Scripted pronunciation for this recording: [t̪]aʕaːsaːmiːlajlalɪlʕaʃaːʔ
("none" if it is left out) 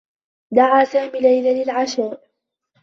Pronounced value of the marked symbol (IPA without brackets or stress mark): d̪